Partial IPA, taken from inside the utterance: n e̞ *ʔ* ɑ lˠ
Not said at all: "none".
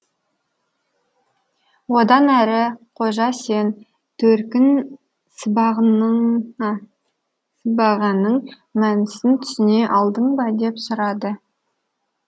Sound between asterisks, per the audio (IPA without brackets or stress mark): ʔ